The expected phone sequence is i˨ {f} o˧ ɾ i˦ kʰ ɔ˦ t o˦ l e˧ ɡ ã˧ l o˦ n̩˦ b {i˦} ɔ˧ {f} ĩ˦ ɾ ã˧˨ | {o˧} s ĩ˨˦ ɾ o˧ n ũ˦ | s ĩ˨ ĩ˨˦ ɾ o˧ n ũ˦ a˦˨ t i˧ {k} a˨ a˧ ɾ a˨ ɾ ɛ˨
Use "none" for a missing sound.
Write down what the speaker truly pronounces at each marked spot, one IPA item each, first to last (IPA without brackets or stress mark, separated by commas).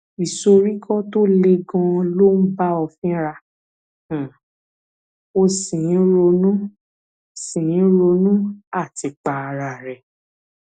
s, a˦, f, o˧, k͡p